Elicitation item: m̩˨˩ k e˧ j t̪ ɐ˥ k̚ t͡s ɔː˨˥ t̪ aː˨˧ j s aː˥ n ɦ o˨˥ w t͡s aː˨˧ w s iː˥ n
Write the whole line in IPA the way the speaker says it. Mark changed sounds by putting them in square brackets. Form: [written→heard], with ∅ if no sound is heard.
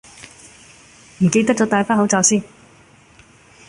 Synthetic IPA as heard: m̩˨˩ k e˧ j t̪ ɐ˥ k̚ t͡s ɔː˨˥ t̪ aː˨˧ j [s→f] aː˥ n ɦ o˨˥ w t͡s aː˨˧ w s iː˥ n